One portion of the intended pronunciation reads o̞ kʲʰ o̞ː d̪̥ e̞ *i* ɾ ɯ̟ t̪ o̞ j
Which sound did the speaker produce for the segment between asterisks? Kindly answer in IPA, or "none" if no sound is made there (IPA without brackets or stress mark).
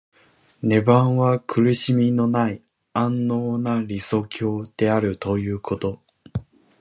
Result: a